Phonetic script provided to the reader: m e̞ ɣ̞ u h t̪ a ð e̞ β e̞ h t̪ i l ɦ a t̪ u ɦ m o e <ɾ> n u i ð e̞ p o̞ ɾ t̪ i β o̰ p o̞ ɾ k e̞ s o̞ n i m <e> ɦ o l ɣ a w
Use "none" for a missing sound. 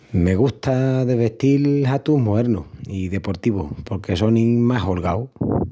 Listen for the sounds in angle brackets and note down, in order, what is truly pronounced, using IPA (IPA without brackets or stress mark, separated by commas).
ɾ, a